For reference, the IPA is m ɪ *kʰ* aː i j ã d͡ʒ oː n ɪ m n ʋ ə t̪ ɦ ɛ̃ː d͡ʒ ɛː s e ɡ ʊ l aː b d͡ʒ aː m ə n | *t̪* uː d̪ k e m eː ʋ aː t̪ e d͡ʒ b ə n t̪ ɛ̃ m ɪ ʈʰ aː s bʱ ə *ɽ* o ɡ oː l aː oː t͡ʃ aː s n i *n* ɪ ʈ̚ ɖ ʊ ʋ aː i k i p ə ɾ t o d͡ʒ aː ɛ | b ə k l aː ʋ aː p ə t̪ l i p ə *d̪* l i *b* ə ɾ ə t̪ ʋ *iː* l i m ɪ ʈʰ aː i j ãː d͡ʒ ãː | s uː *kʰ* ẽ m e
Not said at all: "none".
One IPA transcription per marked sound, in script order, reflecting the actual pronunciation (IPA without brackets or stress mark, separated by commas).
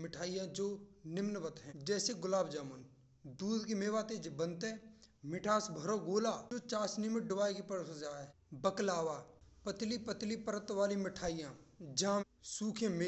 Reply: ʈʰ, d̪, ɾ, m, t̪, p, aː, kʰ